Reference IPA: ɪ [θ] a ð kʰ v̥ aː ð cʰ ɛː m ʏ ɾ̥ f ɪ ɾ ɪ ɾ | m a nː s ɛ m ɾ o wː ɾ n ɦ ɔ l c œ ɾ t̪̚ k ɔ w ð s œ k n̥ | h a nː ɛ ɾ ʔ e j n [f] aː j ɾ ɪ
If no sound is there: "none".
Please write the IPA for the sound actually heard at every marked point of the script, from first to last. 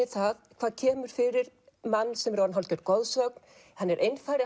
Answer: θ, f

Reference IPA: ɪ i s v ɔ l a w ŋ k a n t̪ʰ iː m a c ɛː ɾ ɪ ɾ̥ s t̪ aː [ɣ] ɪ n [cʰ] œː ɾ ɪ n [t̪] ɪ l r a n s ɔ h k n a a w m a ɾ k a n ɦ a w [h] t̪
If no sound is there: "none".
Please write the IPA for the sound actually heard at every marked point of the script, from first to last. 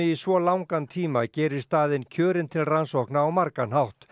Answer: ð, cʰ, t̪ʰ, h

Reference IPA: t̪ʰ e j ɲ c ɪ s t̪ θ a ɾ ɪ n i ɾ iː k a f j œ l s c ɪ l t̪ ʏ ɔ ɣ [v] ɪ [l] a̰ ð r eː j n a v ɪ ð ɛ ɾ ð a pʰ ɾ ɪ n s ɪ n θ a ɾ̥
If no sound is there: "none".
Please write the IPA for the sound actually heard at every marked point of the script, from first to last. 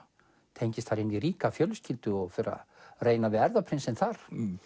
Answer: f, ɾ

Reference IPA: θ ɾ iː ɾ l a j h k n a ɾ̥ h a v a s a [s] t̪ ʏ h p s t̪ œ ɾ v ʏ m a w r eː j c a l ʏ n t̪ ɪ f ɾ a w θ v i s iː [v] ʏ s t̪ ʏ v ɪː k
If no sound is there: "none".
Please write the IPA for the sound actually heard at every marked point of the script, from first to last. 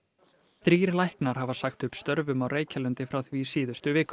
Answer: x, ð

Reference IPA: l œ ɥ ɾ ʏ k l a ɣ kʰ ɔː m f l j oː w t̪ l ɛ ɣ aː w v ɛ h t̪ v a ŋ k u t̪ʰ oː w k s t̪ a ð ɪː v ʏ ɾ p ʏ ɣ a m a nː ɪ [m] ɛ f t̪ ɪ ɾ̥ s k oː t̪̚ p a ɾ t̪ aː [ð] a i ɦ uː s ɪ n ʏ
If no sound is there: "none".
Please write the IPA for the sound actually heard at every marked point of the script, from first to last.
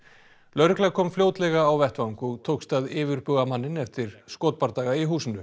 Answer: n, ɣ

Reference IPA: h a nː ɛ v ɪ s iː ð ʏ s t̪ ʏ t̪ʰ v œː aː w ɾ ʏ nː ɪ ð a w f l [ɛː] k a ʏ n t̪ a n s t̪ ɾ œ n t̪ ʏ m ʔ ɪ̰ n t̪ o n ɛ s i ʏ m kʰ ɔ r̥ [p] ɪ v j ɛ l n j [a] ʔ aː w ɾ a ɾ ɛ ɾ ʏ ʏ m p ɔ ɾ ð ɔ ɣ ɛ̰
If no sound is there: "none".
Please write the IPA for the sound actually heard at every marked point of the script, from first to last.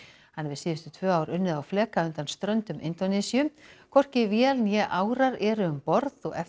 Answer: ɛː, c, ɛ

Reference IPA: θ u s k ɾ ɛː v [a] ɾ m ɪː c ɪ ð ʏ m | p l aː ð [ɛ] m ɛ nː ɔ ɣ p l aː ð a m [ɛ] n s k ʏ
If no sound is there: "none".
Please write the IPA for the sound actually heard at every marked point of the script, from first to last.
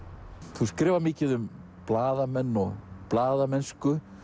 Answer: a, a, ɛ

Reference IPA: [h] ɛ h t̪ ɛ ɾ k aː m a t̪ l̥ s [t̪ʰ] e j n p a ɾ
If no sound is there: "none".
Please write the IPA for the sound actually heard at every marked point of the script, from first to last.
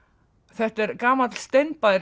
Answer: θ, t̪

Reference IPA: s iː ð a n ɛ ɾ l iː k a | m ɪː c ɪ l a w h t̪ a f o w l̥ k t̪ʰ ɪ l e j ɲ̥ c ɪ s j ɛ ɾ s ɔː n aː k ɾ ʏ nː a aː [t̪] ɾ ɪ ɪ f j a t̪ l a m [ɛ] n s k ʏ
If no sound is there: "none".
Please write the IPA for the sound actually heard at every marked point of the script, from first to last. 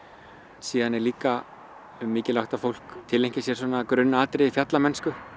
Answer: t̪, ɛ

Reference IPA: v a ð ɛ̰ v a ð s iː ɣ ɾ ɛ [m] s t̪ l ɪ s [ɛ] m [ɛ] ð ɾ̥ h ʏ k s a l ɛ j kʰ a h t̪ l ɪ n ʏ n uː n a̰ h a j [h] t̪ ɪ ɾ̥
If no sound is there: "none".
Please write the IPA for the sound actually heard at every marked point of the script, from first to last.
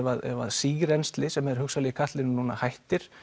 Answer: n, ɛ, ɛ, h

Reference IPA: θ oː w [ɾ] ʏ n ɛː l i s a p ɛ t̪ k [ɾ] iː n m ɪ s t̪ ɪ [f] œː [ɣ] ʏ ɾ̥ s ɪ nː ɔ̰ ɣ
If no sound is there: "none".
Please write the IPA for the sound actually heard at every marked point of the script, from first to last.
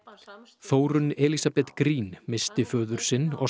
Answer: ɾ, ɾ, f, ð

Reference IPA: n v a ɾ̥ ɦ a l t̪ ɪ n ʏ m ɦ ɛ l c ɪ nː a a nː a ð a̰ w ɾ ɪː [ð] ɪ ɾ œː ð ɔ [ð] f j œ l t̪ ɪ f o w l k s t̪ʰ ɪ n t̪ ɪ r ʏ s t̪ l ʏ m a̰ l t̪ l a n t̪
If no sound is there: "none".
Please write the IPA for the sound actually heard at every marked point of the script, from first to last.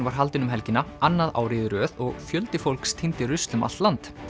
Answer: ð, ɣ

